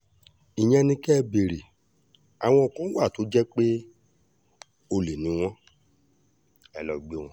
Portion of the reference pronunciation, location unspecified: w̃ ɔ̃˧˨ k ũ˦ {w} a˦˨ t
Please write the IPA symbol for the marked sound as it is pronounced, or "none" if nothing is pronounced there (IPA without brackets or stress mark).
w